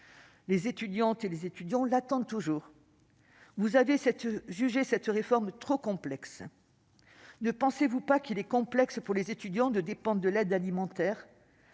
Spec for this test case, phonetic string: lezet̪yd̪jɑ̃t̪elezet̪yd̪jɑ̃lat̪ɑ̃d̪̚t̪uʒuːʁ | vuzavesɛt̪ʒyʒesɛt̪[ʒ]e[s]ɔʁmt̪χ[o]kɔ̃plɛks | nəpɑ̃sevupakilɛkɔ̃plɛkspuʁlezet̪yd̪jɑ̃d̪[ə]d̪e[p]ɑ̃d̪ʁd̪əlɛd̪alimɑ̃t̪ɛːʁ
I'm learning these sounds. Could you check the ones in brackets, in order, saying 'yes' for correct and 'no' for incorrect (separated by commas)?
no, no, yes, yes, yes